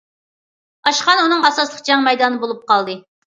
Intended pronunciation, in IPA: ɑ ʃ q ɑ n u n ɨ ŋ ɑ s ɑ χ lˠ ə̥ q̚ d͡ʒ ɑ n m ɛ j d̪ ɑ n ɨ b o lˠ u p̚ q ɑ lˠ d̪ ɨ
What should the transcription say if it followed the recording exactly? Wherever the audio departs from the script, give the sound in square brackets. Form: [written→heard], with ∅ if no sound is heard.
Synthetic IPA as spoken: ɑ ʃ q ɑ n u n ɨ ŋ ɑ s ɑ [χ→s] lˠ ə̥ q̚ d͡ʒ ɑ [n→ŋ] m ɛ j d̪ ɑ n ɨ b o lˠ u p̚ q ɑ lˠ d̪ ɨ